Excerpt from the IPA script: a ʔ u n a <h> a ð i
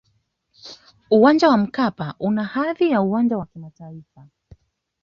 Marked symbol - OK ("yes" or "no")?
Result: yes